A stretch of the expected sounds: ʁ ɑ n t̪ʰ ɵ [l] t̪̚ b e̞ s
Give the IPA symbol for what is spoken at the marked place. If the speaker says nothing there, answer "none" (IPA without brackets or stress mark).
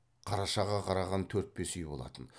ɾ